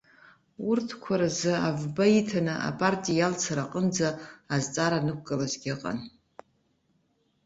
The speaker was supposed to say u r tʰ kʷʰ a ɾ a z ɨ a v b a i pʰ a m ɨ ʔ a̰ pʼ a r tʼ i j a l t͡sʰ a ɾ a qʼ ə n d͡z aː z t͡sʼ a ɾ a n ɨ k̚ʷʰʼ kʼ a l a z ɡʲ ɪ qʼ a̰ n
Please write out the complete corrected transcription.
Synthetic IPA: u r tʰ kʷʰ a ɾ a z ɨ a v b a i tʰ a n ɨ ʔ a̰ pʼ a r tʼ i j a l t͡sʰ a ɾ a qʼ ə n d͡z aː z t͡sʼ a ɾ a n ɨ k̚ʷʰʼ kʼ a l a z ɡʲ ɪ qʼ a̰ n